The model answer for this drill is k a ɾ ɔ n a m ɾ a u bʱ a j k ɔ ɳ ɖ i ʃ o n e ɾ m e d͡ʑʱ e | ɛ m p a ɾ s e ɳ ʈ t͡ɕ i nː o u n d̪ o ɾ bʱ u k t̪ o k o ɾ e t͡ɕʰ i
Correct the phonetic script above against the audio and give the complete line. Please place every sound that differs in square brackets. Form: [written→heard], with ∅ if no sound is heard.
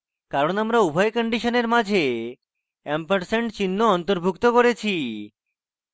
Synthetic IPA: k a ɾ [ɔ→o] n a m ɾ a u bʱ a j k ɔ ɳ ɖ i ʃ o n e ɾ m [e→a] d͡ʑʱ e | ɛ m p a ɾ s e ɳ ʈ t͡ɕ i nː o [u→ɔ] n [d̪→t̪] o ɾ bʱ u k t̪ o k o ɾ e t͡ɕʰ i

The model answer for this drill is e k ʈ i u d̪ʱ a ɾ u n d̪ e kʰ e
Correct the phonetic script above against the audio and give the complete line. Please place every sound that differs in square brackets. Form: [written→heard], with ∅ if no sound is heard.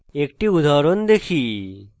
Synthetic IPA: e k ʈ i u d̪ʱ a ɾ [u→o] n d̪ e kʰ [e→i]

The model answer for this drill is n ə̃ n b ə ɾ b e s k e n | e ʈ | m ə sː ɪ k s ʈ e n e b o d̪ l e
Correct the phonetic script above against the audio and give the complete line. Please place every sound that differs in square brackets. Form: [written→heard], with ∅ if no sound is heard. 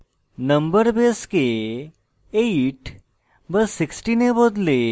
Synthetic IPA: n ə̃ [n→m] b ə ɾ b e s k e [n→∅] | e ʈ | [m→b] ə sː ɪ k s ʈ [e→i] n e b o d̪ l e

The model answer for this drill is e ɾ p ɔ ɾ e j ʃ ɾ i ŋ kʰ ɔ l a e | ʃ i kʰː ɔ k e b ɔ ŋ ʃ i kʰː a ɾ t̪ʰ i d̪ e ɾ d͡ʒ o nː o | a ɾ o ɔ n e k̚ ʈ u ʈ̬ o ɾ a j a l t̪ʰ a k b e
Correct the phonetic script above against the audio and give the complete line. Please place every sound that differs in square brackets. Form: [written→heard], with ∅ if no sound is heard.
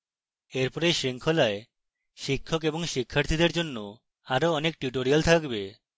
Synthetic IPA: e ɾ p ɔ ɾ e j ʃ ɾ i ŋ kʰ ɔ l a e | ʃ i kʰː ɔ k e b ɔ ŋ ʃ i kʰː a ɾ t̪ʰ i d̪ e ɾ d͡ʒ o nː o | a ɾ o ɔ n e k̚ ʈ u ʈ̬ o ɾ [a→i] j a l t̪ʰ a k b e

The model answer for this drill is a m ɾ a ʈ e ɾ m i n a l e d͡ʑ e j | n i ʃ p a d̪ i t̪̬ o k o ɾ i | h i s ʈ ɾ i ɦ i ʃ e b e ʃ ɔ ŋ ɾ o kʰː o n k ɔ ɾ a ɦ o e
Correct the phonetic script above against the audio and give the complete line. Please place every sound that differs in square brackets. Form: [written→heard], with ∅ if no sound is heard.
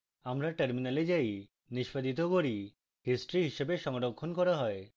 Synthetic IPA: a m ɾ a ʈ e ɾ m i n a l e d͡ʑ [e→a] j | n i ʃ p a d̪ i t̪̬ o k o ɾ i | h i s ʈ ɾ i ɦ i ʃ e b e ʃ ɔ ŋ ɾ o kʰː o n k ɔ ɾ a ɦ [o→ɔ] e

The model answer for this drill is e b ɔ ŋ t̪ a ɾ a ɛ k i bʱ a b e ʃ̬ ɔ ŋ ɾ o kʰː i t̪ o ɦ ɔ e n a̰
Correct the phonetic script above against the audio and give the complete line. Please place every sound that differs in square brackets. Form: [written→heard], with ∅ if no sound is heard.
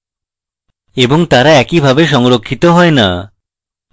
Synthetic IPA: e b [ɔ→o] ŋ t̪ a ɾ a ɛ k i bʱ a b e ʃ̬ ɔ ŋ ɾ o kʰː i t̪ o ɦ ɔ e n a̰

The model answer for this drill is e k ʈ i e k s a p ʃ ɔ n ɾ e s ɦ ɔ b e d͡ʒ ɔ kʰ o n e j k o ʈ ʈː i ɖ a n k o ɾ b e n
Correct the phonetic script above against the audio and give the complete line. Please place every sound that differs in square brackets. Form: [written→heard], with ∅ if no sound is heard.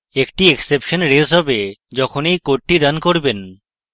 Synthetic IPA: e k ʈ i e k s [a→e] p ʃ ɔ n ɾ e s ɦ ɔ b e d͡ʒ ɔ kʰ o n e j k o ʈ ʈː i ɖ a n k o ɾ b e n

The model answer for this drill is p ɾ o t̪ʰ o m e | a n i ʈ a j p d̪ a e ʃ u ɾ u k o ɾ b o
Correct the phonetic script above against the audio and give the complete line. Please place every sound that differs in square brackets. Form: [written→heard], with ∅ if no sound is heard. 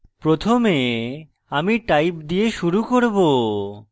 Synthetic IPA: p ɾ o t̪ʰ o m e | a [n→m] i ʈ a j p d̪ [a→i] e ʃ u ɾ u k o ɾ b o

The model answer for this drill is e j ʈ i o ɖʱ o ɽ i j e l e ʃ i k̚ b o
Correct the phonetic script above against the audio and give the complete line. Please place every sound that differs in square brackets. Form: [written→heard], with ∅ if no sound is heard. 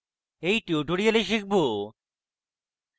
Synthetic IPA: e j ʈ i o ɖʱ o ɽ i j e l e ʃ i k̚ b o

